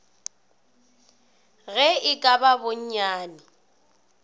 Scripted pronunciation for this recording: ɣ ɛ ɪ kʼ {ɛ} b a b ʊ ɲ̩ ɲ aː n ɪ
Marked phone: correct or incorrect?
incorrect